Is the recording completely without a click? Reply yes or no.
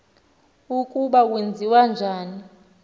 yes